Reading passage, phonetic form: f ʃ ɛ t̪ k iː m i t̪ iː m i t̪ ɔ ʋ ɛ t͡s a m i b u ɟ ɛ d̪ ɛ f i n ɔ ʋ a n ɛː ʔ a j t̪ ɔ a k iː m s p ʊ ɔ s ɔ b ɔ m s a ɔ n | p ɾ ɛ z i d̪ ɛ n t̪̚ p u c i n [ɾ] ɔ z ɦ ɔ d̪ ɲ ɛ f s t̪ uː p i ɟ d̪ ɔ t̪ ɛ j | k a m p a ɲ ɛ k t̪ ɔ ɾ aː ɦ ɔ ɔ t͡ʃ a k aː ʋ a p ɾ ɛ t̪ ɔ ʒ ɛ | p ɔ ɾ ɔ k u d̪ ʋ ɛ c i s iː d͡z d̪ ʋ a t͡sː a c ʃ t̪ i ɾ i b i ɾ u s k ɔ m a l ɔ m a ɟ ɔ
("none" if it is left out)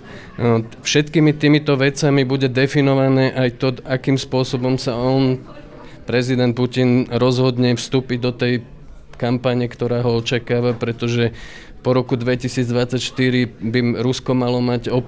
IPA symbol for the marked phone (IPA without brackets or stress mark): ɾ